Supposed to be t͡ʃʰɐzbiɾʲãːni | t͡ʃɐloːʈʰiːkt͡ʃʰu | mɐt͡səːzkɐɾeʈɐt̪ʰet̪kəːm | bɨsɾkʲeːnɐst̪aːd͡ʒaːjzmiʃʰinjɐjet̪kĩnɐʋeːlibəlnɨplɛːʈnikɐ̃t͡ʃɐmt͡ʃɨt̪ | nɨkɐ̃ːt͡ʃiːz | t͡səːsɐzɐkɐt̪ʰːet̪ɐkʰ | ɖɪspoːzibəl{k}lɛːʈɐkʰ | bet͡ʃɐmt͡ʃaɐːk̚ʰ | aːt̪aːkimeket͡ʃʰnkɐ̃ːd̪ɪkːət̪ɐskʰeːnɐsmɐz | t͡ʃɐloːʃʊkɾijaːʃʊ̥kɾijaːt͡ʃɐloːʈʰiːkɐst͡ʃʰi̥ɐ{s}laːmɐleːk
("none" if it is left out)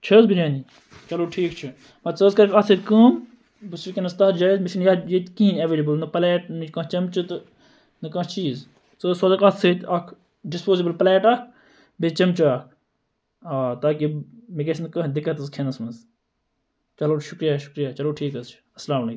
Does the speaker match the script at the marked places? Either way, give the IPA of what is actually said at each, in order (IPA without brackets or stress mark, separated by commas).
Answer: p, s